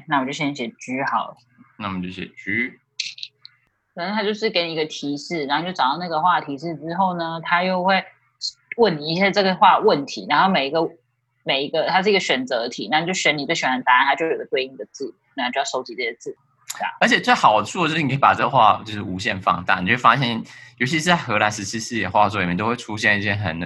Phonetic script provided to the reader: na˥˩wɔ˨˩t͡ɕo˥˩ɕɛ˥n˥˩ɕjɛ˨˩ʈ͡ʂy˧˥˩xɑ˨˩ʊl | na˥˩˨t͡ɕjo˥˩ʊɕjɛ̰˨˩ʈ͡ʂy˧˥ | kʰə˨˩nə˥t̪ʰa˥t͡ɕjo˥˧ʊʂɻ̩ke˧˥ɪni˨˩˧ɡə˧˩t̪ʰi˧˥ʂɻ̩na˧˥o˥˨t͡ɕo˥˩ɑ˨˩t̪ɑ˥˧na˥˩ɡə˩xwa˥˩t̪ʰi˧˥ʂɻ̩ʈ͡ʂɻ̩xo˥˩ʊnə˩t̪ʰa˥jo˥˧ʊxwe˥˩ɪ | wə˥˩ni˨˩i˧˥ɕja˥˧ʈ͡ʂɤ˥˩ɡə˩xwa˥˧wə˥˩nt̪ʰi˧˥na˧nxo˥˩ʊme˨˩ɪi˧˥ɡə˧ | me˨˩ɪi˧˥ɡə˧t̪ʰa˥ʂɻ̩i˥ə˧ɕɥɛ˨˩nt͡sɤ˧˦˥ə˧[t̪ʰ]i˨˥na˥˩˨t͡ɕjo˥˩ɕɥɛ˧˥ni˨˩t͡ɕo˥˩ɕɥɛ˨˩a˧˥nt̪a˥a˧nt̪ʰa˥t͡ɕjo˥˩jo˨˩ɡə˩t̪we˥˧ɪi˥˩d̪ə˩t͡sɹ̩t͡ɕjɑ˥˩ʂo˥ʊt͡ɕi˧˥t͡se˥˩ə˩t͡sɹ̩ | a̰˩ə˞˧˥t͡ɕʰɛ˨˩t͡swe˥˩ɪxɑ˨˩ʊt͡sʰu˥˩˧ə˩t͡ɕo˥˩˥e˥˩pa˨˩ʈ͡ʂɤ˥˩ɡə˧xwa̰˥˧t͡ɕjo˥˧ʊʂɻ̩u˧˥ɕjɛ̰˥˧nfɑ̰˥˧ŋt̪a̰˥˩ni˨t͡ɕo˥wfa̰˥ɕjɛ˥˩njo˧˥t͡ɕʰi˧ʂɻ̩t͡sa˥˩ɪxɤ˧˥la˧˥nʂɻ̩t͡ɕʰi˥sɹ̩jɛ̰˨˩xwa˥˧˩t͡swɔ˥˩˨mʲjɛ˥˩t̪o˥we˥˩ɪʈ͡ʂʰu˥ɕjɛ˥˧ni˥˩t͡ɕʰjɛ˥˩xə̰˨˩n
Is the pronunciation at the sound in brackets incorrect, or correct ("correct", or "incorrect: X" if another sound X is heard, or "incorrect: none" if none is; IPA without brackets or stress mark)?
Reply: correct